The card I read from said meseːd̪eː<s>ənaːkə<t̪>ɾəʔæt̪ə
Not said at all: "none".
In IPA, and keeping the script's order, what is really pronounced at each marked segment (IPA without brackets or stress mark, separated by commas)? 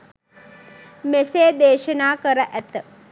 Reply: ʃ, none